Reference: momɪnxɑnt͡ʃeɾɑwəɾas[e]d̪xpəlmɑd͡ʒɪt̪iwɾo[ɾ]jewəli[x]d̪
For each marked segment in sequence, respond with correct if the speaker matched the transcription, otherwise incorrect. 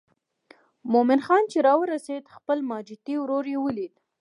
correct, correct, incorrect

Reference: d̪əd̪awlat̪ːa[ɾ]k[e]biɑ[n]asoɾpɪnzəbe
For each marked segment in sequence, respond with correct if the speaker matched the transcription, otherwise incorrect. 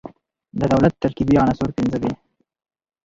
correct, incorrect, correct

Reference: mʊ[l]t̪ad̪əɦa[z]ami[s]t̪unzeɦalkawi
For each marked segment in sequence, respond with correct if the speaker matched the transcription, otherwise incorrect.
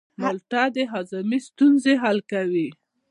correct, correct, correct

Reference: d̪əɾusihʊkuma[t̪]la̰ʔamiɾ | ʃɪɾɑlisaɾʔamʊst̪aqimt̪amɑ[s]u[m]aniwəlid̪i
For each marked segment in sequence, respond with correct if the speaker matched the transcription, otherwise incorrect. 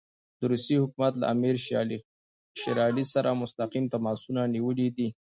correct, correct, incorrect

